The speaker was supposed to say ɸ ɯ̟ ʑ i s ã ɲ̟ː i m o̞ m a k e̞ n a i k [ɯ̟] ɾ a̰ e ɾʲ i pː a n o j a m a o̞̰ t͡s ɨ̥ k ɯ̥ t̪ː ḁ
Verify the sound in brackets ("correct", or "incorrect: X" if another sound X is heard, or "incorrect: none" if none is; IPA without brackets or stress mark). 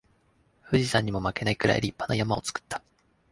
correct